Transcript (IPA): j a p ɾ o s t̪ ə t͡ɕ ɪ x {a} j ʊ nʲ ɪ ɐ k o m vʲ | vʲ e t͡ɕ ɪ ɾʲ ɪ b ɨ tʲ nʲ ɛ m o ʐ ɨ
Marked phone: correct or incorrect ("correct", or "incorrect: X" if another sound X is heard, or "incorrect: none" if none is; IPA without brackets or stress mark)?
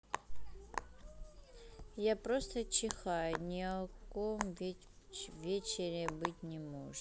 correct